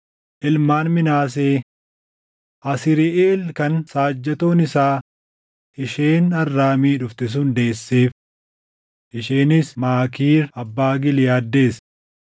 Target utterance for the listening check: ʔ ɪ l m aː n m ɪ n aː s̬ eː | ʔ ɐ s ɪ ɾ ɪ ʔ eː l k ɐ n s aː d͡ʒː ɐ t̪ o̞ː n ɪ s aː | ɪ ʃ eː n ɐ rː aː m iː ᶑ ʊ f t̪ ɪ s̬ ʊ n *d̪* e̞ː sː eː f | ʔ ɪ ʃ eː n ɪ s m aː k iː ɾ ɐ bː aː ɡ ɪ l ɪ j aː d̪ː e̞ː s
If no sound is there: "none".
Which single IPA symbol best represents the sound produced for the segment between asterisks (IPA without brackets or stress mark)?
d̪